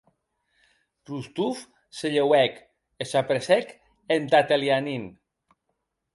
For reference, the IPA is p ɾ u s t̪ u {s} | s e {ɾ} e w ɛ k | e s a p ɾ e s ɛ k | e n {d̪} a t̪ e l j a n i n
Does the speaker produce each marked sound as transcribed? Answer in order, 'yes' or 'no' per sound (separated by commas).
no, no, no